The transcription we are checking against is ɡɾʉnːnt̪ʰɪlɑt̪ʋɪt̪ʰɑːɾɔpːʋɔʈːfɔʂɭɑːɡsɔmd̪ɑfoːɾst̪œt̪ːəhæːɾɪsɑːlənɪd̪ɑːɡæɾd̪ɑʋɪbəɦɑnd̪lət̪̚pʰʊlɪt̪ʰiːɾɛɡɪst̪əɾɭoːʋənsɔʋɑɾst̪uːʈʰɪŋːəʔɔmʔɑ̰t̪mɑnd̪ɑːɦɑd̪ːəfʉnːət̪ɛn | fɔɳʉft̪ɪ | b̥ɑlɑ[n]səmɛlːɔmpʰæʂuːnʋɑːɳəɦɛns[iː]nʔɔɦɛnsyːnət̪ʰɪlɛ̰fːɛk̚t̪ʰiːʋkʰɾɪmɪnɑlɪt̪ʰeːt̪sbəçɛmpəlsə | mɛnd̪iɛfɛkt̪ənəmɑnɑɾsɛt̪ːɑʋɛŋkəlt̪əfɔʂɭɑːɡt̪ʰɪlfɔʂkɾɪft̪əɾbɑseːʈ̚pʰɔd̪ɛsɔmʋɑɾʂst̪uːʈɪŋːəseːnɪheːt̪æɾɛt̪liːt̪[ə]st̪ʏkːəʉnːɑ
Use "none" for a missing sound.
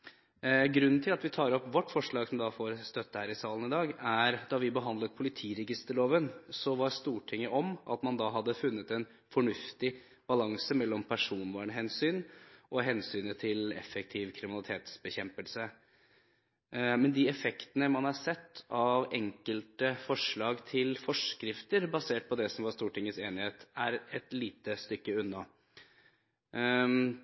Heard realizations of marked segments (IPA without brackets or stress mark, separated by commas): ŋ, yː, ə